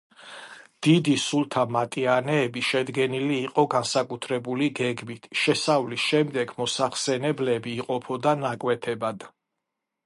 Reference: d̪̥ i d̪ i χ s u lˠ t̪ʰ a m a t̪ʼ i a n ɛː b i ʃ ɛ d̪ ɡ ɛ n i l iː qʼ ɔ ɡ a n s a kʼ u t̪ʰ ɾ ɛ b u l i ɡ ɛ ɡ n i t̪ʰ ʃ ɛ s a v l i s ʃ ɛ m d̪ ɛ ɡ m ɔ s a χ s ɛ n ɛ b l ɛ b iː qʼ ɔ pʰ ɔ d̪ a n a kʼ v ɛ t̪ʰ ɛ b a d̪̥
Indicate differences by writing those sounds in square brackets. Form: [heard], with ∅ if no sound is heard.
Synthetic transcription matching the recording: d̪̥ i d̪ i [∅] s u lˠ t̪ʰ a m a t̪ʼ i a n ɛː b i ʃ ɛ d̪ ɡ ɛ n i l iː qʼ ɔ ɡ a n s a kʼ u t̪ʰ ɾ ɛ b u l i ɡ ɛ ɡ [m] i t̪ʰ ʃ ɛ s a v l i s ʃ ɛ m d̪ ɛ ɡ m ɔ s a χ s ɛ n ɛ b l ɛ b iː qʼ ɔ pʰ ɔ d̪ a n a kʼ [w] ɛ t̪ʰ ɛ b a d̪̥